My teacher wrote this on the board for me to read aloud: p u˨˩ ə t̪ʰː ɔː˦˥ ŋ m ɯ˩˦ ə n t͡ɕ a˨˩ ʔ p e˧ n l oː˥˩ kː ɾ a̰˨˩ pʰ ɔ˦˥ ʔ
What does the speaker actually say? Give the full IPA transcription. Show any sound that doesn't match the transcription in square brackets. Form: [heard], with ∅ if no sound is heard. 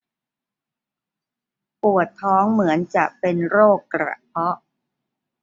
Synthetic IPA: p u˨˩ ə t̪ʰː ɔː˦˥ ŋ m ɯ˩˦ ə n t͡ɕ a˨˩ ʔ p e˧ n [ɾ] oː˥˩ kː ɾ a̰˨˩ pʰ ɔ˦˥ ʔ